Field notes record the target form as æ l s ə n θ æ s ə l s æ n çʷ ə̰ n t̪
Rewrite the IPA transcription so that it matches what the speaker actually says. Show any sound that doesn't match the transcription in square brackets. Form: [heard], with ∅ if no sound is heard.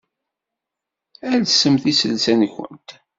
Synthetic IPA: æ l s ə [m] θ [i] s ə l s æ n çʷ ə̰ n t̪